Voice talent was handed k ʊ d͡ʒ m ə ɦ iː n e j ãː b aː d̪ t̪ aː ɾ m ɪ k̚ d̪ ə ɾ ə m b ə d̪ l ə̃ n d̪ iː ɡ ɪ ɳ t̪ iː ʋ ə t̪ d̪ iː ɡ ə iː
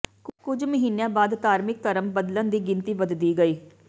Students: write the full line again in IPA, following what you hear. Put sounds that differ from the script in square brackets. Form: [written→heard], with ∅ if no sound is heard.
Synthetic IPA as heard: k ʊ d͡ʒ m ə ɦ iː n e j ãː b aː d̪ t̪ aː ɾ m ɪ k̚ [d̪→t̪] ə ɾ ə m b ə d̪ l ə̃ n d̪ iː ɡ ɪ [ɳ→n] t̪ iː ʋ ə [t̪→d̪] d̪ iː ɡ ə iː